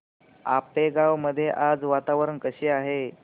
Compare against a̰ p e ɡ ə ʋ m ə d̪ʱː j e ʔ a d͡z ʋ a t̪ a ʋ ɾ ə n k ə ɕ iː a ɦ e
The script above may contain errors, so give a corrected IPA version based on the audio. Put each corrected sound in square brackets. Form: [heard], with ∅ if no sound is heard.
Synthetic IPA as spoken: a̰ p e ɡ [a] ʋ m ə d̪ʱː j e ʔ a d͡z ʋ a t̪ a ʋ ɾ ə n k ə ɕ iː a ɦ e